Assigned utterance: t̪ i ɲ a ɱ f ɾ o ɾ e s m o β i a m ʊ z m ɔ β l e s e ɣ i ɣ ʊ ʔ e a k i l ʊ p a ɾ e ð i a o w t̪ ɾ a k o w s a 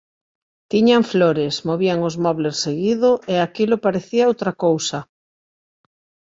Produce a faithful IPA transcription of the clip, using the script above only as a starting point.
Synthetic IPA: t̪ i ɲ a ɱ f l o ɾ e s m o β i a ŋ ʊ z m ɔ β l e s e ɣ i ð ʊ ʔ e a k i l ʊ p a ɾ e θ i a o w t̪ ɾ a k o w s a